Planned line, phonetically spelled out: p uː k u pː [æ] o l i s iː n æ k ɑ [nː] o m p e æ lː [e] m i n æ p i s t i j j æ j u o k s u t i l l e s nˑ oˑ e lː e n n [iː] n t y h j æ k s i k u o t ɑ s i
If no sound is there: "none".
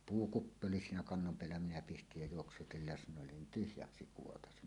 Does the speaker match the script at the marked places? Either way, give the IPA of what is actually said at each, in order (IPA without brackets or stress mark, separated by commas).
i, nː, æ, i